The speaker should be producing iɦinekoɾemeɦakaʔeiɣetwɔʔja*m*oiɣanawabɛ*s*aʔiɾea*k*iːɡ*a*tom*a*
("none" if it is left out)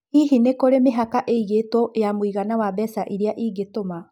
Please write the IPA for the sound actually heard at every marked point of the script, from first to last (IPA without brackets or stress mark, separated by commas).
m, s, ʔ, e, a